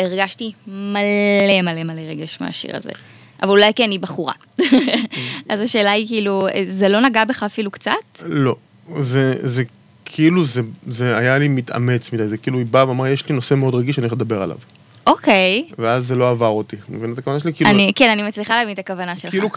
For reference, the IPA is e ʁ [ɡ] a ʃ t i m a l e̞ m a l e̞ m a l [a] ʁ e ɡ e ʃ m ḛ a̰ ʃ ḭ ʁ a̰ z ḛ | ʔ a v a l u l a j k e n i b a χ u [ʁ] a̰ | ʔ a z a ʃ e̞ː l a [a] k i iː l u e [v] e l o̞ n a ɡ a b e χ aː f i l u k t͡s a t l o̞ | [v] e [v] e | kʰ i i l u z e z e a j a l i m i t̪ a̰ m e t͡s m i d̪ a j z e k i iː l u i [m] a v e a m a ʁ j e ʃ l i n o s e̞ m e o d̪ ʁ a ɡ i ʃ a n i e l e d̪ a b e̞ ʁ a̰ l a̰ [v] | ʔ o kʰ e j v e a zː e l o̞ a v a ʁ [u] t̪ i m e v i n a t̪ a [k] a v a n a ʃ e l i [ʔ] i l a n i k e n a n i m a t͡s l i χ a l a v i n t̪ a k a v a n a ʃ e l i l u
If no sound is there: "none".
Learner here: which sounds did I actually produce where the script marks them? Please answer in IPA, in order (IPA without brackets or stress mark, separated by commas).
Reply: ɡ, e, ʁ, i, z, z, z, b, v, o, k, k